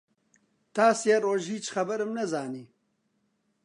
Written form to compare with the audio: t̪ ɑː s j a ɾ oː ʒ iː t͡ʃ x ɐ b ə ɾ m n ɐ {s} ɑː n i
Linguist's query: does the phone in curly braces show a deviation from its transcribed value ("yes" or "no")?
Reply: yes